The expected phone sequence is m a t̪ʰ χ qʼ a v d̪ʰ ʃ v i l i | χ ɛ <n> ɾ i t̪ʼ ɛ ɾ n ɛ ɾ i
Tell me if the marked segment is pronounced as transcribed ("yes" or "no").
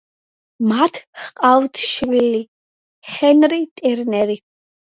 yes